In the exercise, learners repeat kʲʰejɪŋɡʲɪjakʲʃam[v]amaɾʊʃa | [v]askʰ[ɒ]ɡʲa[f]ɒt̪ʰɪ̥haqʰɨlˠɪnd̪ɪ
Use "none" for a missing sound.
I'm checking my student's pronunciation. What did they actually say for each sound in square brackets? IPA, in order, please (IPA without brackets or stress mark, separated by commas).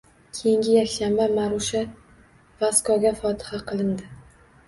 b, v, ɒ, f